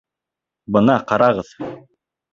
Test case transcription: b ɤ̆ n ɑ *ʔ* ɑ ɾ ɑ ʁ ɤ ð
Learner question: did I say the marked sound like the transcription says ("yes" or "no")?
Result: no